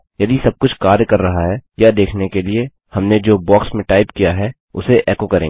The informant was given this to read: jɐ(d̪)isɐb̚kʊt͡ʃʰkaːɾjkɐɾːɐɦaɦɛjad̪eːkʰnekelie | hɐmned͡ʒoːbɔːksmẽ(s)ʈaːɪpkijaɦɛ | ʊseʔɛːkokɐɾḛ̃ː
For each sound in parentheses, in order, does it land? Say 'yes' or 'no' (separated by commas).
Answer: yes, no